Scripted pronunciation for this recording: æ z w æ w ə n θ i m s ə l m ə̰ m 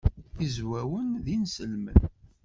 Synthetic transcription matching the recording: i z w æ w ə n ð i n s ə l m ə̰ n

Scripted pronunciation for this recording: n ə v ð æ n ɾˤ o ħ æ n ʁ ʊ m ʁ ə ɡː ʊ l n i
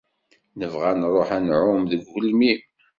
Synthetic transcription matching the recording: n ə v ʁ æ n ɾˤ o ħ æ n ʕ ʊ m ð ə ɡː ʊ l m i

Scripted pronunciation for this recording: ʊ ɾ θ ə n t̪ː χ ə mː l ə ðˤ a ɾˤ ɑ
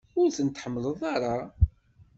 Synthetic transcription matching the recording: ʊ ɾ θ ə n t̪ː ħ ə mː l ə ðˤ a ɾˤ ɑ

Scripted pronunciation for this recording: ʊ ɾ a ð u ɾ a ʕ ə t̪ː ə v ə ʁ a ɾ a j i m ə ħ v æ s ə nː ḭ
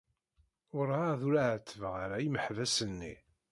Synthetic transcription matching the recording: ʊ ɾ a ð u ɾ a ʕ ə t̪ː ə v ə ʁ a ɾ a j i m ə ħ v æ s ə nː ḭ

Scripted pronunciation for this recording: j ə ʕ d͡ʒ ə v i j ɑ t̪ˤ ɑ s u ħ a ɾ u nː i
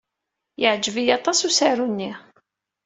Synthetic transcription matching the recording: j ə ʕ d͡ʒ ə v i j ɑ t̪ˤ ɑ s u s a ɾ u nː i

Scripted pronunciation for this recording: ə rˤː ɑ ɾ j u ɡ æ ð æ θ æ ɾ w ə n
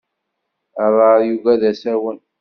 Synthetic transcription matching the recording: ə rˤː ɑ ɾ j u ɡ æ ð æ s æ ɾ w ə n

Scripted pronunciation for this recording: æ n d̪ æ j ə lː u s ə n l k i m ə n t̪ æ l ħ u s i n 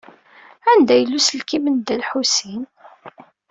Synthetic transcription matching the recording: æ n d̪ æ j ə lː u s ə l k i m ə n d̪ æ l ħ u s i n

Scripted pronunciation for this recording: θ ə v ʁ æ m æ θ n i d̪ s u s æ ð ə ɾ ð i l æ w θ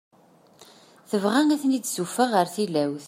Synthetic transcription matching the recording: θ ə v ʁ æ ŋ æ θ n i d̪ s u f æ ʁ ə ɾ θ i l æ w θ

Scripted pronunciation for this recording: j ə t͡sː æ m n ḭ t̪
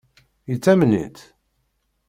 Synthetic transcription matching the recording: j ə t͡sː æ m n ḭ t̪

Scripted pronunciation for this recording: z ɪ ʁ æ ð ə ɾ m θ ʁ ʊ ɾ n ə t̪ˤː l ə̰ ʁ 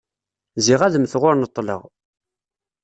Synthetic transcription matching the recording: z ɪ ʁ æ ð ə m θ ʁ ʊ ɾ n ə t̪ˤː l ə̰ ʁ

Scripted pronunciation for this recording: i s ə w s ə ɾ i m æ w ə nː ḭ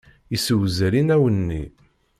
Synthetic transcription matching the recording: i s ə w z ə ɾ i n æ w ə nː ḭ

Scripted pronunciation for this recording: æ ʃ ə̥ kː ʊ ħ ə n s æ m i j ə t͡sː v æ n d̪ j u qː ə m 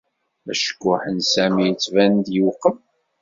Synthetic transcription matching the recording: æ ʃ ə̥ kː ʊ ħ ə n s æ m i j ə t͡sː v æ n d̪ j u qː ə m

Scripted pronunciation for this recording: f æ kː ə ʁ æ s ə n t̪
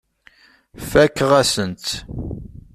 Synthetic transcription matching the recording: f æ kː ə ʁ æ s ə n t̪

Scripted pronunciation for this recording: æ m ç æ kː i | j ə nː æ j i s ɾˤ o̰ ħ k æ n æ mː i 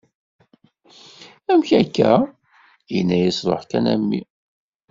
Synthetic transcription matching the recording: æ m ç æ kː æ | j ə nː æ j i s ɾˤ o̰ ħ k æ n æ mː i

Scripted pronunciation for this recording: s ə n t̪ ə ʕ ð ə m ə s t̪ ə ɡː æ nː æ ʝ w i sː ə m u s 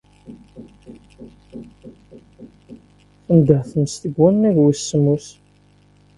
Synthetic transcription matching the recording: θ ə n d̪ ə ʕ θ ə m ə s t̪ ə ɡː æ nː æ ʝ w i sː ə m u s

